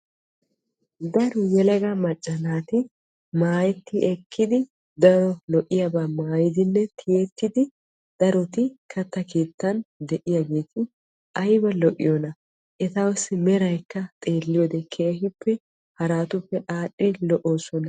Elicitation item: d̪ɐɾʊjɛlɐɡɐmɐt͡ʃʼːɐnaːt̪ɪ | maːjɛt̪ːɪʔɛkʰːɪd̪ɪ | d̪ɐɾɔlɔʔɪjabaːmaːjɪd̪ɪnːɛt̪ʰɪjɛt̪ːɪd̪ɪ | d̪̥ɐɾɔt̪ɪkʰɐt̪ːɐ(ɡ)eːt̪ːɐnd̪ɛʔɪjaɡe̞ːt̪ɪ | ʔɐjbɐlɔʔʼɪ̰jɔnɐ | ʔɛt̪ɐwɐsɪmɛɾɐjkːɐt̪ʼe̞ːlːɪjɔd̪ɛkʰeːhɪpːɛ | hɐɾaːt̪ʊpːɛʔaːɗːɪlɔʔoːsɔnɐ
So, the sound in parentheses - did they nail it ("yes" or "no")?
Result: no